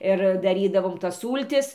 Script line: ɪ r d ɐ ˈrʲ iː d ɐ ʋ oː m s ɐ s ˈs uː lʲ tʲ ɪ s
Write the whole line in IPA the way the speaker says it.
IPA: ɪ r d ɐ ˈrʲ iː d ɐ ʋ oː m t ɐ s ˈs uː lʲ tʲ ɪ s

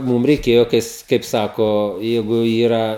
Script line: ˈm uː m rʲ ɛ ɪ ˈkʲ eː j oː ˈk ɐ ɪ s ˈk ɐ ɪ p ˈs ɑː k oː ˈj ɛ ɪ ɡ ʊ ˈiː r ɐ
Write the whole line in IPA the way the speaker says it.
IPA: ˈm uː m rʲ ɛ ɪ ˈkʲ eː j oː ˈk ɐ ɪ s ˈk ɐ ɪ p ˈs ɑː k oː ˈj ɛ ɪ ɡ ʊ ˈiː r ɐ

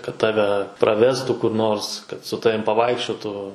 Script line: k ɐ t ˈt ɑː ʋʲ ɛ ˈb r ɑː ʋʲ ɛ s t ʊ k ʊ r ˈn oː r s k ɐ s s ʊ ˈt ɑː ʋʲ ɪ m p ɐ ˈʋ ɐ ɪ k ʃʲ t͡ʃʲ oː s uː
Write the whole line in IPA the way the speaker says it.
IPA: k ɐ t ˈt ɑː ʋʲ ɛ ˈp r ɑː ʋʲ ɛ s t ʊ k ʊ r ˈn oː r s k ɐ t s ʊ ˈt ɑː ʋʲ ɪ m p ɐ ˈʋ ɐ ɪ k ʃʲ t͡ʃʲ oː t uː

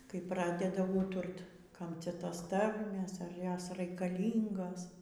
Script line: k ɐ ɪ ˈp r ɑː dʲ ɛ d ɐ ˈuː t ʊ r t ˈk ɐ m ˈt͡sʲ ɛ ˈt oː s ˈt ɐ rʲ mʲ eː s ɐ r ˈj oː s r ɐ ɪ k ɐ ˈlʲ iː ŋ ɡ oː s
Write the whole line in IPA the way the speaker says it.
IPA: k ɐ ɪ ˈp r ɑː dʲ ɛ d ɐ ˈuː t ʊ r t ˈk ɐ m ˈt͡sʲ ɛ ˈt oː s ˈt ɐ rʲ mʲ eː s ɐ r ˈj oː s r ɐ ɪ k ɐ ˈlʲ iː ŋ ɡ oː s

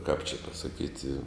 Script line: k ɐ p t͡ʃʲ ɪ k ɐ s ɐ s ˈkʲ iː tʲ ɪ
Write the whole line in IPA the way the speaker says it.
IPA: k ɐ p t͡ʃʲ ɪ p ɐ s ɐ ˈkʲ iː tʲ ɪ

